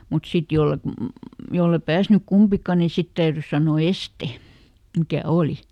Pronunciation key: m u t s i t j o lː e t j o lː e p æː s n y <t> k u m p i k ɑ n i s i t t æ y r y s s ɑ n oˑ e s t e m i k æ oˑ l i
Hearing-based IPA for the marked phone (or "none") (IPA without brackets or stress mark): k